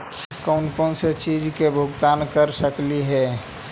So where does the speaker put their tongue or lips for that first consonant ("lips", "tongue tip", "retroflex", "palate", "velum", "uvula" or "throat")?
velum